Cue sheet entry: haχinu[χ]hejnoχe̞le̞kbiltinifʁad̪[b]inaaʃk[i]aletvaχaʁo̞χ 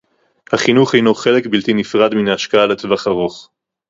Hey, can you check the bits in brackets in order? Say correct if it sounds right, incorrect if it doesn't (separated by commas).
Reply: correct, incorrect, incorrect